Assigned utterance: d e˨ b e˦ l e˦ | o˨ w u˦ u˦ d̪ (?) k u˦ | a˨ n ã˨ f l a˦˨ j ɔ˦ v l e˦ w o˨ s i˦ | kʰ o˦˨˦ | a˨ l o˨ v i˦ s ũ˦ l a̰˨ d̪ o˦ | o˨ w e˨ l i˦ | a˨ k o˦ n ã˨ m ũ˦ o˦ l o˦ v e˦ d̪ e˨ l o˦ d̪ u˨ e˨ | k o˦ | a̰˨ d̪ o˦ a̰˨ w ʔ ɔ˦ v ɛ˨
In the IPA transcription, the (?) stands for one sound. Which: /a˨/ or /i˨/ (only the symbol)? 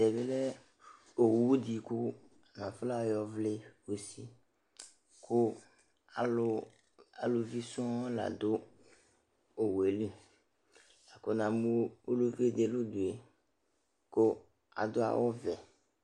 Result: i˨